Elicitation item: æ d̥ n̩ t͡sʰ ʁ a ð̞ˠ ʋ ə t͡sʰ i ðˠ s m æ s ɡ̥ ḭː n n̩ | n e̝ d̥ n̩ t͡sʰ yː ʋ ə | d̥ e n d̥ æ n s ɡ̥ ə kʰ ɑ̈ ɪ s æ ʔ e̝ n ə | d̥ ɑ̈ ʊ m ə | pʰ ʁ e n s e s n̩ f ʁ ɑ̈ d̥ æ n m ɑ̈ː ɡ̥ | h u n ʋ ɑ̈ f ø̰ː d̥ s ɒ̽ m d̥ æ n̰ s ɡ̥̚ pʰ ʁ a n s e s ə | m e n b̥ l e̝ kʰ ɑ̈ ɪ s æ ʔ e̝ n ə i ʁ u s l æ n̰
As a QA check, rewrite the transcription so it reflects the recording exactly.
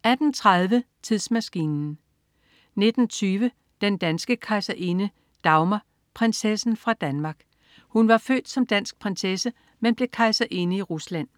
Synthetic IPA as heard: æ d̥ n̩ t͡sʰ ʁ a ð̞ˠ ʋ ə t͡sʰ i ðˠ s m æ s ɡ̥ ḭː n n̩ | n e̝ d̥ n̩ t͡sʰ yː ʋ ə | d̥ e n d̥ æ n s ɡ̥ ə kʰ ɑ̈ ɪ s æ ʔ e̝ n ə | d̥ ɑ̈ ʊ m ɐ | pʰ ʁ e n s e s n̩ f ʁ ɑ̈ d̥ æ n m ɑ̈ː ɡ̥ | h u n ʋ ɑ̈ f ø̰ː d̥ s ɒ̽ m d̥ æ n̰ s ɡ̥̚ pʰ ʁ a n s e s ə | m e n b̥ l e̝ kʰ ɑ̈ ɪ s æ ʔ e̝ n ə i ʁ u s l æ n̰

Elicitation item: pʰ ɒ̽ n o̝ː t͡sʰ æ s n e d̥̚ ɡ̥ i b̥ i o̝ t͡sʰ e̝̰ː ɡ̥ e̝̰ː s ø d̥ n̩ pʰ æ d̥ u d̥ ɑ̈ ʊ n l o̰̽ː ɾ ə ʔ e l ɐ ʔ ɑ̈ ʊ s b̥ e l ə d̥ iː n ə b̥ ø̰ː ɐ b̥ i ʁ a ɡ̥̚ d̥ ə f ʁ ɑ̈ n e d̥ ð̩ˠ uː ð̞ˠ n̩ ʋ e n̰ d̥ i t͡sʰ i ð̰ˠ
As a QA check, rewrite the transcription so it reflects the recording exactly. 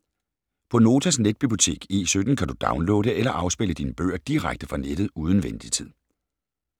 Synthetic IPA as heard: pʰ ɒ̽ n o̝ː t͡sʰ æ s n e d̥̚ b̥ i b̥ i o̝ t͡sʰ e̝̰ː ɡ̥ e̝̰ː s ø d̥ n̩ kʰ æ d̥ u d̥ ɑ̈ ʊ n l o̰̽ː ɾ ə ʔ e l ɐ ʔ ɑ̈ ʊ s b̥ e l ə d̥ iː n ə b̥ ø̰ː ɐ d̥ i ʁ a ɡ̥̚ d̥ ə f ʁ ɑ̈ n e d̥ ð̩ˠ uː ð̞ˠ n̩ ʋ e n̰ d̥ i t͡sʰ i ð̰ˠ

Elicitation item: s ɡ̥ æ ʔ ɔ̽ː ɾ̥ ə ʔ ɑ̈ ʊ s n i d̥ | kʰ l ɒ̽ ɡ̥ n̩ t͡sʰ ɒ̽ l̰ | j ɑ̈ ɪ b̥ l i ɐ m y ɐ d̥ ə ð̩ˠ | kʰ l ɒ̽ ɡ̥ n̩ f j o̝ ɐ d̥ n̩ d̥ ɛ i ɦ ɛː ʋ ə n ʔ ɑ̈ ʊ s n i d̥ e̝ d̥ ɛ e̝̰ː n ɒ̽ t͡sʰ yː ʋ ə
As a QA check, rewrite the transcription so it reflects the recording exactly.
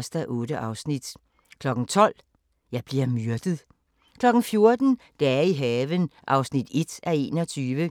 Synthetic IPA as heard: s d̥ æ ʔ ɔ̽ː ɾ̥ ə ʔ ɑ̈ ʊ s n i d̥ | kʰ l ɒ̽ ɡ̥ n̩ t͡sʰ ɒ̽ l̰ | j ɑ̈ ɪ b̥ l i ɐ m y ɐ d̥ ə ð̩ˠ | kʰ l ɒ̽ ɡ̥ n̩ f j o̝ ɐ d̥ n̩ d̥ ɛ i ɦ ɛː ʋ ə n ʔ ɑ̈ ʊ s n i d̥ e̝ d̥ æ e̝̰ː n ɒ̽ t͡sʰ yː ʋ ə

